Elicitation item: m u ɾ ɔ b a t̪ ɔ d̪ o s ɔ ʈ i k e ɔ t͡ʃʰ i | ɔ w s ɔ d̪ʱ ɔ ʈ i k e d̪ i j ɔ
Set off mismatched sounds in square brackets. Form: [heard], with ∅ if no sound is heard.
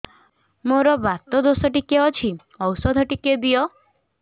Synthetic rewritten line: m [o] ɾ ɔ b a t̪ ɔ d̪ o s ɔ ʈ i k e ɔ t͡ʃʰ i | ɔ w s ɔ d̪ʱ ɔ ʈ i k e d̪ i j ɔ